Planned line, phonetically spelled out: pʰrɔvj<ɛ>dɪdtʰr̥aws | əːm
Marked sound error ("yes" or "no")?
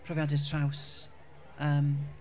yes